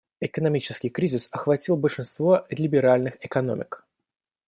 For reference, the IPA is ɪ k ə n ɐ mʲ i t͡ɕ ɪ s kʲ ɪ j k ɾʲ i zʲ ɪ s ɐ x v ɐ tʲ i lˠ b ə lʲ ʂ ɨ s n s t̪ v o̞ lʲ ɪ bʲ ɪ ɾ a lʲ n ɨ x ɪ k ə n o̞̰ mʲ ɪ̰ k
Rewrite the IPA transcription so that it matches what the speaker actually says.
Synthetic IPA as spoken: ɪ k ə n ɐ mʲ i t͡ɕ ɪ s kʲ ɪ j k ɾʲ i zʲ ɪ s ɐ x v ɐ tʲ i lˠ b ə lʲ ʂ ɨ n s t̪ v o̞ lʲ ɪ bʲ ɪ ɾ a lʲ n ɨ x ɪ k ɐ n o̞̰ mʲ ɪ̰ k